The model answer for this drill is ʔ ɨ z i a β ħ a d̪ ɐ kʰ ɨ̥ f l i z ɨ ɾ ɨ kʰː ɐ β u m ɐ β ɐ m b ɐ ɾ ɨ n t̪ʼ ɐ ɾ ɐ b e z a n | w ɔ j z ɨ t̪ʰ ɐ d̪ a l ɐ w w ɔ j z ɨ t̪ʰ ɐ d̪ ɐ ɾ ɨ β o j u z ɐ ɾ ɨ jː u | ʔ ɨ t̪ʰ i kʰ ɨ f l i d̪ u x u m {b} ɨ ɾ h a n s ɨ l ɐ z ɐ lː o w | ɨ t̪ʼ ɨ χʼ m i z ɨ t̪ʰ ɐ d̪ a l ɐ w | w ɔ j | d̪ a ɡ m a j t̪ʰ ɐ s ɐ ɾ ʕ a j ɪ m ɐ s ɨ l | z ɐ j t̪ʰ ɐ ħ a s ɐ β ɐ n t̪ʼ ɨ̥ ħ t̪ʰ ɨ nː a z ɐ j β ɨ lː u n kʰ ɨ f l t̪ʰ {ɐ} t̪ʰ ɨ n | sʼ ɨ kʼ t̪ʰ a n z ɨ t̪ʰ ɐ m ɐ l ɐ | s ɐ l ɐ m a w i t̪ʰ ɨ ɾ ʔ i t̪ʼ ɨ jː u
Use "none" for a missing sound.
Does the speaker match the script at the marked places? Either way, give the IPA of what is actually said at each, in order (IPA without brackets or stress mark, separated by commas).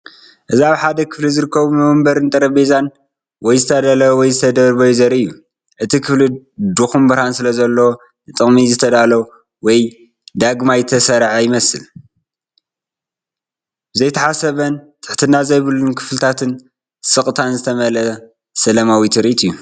b, a